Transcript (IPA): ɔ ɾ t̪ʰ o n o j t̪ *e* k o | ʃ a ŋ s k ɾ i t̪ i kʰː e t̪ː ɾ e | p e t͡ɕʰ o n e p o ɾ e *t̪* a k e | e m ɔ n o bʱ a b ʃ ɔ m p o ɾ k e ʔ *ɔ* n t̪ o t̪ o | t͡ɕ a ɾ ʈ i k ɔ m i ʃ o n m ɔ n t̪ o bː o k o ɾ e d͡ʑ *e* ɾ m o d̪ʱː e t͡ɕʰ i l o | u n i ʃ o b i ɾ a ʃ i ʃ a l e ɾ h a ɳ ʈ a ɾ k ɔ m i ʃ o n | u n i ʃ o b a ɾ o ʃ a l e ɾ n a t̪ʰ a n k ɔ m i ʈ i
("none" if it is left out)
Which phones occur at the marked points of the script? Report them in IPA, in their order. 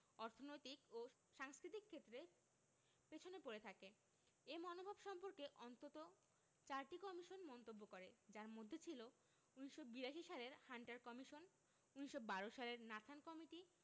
i, t̪ʰ, ɔ, a

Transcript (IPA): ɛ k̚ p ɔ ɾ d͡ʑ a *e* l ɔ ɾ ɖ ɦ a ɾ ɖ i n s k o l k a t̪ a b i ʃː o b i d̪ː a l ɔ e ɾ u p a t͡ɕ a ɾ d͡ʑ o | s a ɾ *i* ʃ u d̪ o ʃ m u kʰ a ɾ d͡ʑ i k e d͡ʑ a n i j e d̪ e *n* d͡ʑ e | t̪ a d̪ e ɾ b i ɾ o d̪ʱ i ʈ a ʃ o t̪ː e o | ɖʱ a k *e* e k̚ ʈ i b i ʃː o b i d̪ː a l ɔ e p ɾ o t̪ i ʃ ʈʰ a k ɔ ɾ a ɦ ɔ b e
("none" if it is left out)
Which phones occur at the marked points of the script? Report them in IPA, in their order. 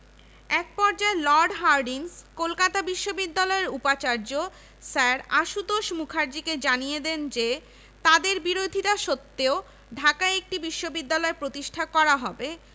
e, a, n, a

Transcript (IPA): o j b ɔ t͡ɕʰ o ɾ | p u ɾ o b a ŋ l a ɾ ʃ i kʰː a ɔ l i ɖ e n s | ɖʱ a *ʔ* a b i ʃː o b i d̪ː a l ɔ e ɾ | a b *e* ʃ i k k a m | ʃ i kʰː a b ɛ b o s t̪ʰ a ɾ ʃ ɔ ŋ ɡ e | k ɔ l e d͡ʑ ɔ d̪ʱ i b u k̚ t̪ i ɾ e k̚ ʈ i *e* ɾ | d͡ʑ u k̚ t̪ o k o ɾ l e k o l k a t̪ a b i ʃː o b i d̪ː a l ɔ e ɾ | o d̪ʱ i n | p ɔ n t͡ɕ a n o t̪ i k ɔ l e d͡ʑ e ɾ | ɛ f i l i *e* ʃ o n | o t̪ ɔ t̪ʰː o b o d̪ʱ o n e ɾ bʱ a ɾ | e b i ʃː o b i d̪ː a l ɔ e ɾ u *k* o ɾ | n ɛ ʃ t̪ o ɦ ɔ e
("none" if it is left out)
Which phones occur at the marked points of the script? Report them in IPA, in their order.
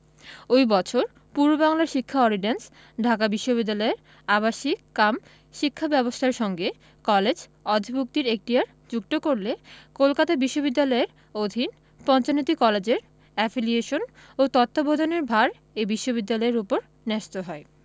k, a, a, e, p

